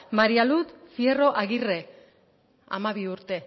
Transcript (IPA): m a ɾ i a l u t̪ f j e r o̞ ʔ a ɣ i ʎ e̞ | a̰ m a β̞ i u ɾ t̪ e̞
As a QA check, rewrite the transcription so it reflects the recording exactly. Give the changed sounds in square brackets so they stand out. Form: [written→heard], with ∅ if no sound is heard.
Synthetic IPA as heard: m a ɾ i a l u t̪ f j e r o̞ ʔ a ɣ i [ʎ→r] e̞ | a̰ m a β̞ i u ɾ t̪ e̞